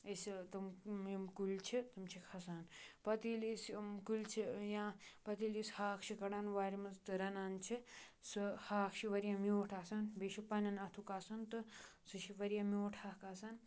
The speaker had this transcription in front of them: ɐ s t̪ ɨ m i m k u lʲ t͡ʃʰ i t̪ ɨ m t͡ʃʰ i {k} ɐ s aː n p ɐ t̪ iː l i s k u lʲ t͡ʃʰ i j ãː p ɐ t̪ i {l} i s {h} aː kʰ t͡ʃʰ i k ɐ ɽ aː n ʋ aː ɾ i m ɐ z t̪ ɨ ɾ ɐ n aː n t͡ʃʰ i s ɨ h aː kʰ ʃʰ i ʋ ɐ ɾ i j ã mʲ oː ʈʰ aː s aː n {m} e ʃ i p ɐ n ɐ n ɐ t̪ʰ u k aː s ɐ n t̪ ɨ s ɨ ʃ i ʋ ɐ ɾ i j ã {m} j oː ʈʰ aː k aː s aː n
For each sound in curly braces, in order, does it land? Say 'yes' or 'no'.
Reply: no, yes, yes, no, yes

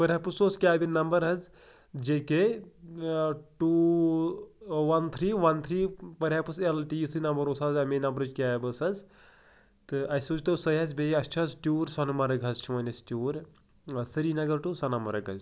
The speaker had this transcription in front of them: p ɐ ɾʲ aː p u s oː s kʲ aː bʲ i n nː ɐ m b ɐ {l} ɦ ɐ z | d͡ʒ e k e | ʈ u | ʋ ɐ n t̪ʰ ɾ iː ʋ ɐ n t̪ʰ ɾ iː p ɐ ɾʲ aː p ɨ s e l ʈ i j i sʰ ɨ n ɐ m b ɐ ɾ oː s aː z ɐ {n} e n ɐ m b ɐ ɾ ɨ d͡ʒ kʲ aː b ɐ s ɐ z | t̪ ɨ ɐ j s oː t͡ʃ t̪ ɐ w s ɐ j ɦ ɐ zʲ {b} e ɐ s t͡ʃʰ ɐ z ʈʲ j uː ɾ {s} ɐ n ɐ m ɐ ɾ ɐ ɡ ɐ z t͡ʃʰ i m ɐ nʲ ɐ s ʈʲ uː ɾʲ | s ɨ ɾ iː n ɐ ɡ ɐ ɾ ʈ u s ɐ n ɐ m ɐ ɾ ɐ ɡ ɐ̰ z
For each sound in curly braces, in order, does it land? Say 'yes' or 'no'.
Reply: no, no, yes, yes

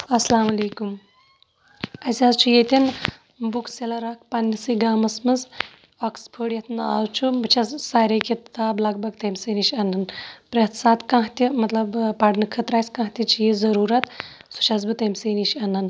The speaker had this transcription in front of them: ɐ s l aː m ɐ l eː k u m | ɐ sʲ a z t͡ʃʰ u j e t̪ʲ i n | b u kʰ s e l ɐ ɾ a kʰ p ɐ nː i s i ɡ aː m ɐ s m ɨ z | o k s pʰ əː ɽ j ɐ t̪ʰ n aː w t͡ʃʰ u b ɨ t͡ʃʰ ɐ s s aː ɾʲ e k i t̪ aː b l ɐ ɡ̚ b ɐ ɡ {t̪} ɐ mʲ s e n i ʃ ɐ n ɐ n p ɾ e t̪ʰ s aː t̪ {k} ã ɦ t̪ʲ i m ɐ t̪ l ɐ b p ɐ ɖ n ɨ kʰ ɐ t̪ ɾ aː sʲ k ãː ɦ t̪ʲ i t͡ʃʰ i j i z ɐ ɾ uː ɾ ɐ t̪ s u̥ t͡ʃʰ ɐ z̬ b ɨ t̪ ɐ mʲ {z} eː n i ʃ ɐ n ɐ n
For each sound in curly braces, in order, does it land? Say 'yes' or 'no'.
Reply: yes, yes, no

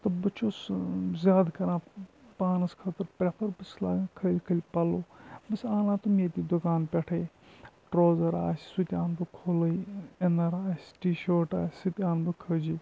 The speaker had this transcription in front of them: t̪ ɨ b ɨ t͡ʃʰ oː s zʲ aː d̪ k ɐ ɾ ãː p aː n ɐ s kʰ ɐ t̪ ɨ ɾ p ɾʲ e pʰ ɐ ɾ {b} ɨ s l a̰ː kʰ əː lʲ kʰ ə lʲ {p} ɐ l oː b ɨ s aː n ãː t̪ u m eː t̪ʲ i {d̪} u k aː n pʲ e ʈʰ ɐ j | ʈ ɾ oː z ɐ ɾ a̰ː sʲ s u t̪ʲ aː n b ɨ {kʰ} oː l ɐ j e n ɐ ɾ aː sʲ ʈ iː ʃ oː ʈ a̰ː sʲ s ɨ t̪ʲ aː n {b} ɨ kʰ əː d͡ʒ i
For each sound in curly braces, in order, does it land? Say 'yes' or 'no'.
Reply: yes, yes, yes, yes, yes

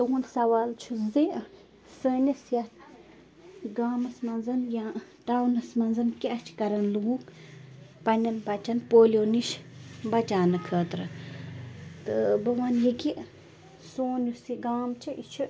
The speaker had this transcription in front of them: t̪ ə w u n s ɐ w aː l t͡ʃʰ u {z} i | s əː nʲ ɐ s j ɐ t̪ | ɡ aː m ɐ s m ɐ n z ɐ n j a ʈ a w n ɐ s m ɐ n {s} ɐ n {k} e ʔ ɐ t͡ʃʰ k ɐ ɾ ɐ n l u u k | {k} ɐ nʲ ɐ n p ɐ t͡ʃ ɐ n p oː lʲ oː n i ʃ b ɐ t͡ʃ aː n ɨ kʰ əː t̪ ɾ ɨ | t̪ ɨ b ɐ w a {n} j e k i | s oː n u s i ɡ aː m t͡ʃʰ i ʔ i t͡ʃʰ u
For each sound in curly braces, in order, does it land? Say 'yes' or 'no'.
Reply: yes, no, yes, no, yes

